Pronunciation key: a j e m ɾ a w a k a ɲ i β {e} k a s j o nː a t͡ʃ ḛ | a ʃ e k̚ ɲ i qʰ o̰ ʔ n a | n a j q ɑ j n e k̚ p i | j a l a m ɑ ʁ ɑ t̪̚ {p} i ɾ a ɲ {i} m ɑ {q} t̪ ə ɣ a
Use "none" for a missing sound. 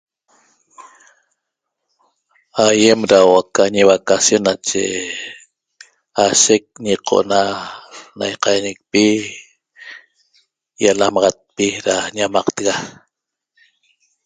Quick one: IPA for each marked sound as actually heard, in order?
a, p, a, q

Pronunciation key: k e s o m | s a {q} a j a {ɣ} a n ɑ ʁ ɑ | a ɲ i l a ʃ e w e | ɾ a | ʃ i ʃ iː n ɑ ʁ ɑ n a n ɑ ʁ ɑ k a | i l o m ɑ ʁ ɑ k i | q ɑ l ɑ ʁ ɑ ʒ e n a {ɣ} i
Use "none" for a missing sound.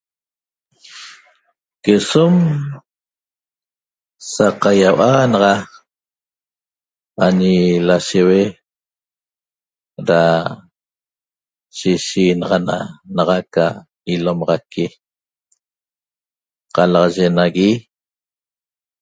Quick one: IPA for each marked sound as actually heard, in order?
q, w, ɣ

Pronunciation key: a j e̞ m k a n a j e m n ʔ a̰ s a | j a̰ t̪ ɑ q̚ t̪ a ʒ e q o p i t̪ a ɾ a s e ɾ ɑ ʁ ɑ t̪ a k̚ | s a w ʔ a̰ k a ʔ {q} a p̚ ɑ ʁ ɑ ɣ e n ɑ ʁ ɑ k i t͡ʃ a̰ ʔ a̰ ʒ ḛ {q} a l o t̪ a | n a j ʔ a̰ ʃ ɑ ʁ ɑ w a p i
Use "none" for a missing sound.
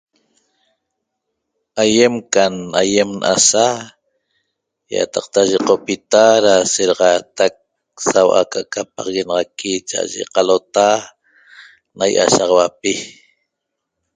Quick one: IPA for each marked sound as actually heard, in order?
k, q

